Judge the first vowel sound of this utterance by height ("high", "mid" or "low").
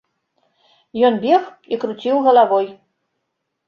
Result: mid